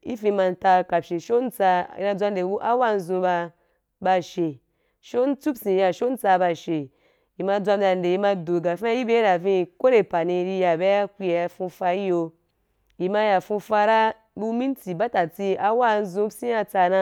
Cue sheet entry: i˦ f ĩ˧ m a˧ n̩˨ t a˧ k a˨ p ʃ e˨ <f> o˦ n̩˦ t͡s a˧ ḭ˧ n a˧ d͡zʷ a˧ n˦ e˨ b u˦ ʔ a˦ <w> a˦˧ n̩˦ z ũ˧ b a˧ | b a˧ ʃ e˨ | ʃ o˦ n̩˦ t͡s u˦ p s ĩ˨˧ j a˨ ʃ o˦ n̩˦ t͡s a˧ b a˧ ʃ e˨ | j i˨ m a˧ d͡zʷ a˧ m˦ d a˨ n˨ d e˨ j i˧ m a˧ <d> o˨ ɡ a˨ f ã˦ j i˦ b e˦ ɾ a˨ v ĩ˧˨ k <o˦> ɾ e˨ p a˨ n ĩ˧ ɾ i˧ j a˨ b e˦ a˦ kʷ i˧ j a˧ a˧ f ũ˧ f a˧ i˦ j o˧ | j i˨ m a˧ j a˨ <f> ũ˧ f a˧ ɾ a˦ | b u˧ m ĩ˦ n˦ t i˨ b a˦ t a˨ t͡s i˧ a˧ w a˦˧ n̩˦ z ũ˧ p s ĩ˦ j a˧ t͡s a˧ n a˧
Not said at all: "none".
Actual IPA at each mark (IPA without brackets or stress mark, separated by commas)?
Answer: ʃ, w, d, o˦, f